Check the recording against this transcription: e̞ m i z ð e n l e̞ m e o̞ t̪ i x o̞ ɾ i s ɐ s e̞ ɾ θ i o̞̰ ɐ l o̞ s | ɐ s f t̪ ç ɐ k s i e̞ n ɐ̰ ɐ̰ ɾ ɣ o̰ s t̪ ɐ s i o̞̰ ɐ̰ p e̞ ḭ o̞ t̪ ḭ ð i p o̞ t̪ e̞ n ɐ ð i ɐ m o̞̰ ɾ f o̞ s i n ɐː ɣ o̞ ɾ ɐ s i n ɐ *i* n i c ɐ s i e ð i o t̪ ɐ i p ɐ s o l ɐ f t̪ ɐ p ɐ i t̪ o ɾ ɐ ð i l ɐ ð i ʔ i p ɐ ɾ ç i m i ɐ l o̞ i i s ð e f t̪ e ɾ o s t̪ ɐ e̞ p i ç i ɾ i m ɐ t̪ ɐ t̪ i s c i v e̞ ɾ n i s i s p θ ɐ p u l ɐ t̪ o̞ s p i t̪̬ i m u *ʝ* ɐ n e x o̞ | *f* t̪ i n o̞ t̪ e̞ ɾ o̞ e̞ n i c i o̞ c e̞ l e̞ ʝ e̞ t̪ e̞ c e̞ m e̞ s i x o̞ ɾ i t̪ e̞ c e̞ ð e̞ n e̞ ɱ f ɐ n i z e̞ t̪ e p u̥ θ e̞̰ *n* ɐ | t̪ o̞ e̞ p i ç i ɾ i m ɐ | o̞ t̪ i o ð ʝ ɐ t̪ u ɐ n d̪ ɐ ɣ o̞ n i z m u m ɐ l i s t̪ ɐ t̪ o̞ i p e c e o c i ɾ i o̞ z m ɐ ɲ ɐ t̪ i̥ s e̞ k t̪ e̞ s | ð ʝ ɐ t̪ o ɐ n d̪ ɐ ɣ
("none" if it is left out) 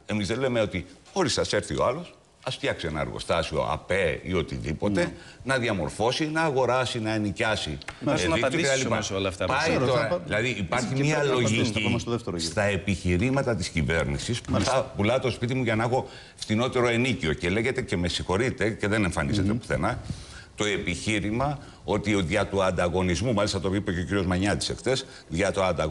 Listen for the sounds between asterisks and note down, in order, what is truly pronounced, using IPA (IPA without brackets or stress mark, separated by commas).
e, ʝ, f, n